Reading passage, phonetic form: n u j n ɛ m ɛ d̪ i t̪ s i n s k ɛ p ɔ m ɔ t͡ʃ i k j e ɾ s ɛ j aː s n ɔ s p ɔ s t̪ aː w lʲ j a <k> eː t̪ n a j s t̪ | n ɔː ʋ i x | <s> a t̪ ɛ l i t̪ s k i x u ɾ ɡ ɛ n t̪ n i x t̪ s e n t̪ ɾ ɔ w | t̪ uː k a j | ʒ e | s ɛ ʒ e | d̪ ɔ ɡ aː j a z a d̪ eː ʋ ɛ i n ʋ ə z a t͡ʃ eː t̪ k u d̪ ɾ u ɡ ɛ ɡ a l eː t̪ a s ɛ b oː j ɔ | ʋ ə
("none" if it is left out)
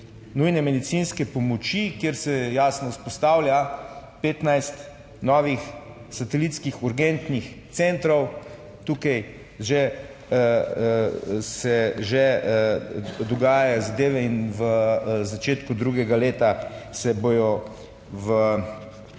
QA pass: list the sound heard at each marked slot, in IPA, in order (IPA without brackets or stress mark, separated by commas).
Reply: p, s